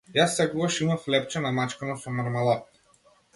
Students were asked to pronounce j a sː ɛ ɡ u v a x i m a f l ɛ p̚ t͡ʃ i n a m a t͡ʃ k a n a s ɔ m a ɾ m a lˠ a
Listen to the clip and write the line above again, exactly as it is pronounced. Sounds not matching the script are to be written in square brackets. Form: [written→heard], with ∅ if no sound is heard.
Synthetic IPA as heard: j a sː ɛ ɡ u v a [x→ʃ] i m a f l ɛ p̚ t͡ʃ [i→ɛ] n a m a t͡ʃ k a n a s ɔ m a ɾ m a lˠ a